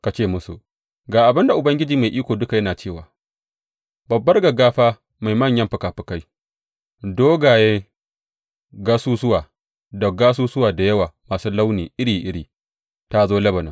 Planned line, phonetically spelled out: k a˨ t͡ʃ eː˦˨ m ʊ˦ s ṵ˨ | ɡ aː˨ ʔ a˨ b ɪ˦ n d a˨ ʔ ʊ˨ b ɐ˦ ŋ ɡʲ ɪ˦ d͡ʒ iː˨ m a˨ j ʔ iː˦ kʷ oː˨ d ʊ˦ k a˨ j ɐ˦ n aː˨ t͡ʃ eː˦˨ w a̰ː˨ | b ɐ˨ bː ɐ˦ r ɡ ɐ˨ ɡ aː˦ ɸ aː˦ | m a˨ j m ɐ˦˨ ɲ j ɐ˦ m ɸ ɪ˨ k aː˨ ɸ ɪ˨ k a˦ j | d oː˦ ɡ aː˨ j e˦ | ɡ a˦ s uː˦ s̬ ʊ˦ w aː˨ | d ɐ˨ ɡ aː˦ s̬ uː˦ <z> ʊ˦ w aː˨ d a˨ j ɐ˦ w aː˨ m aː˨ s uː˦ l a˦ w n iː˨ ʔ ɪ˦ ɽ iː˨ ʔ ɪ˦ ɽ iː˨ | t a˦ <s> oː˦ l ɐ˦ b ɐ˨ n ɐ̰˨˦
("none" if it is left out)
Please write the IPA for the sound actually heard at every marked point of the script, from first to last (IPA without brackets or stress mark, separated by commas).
s, z